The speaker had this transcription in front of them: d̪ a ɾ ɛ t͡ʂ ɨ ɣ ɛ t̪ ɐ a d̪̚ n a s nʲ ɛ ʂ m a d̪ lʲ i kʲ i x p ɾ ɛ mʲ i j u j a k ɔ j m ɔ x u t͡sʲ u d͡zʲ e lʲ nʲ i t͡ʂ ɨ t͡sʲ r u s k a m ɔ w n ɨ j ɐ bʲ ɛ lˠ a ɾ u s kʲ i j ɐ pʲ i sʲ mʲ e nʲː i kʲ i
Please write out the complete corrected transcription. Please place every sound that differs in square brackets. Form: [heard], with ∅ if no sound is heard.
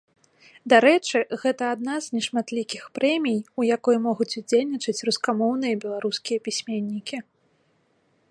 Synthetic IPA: d̪ a ɾ ɛ t͡ʂ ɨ ɣ ɛ t̪ ɐ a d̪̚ n a [z] nʲ ɛ ʂ m a [t̪] lʲ i kʲ i x p ɾ ɛ mʲ i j u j a k ɔ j m ɔ [ɣ] u t͡sʲ u d͡zʲ e lʲ nʲ i t͡ʂ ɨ t͡sʲ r u s k a m ɔ w n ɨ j ɐ bʲ ɛ lˠ a ɾ u s kʲ i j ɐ pʲ i sʲ mʲ e nʲː i kʲ i